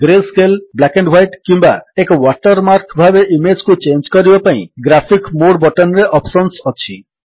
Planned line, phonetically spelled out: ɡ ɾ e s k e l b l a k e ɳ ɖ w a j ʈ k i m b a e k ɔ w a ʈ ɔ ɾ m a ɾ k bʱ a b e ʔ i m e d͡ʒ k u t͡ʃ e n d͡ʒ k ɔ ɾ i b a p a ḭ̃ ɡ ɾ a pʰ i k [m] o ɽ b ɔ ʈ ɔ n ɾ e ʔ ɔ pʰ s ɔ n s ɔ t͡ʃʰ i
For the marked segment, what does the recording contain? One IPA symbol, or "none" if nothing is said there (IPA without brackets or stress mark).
m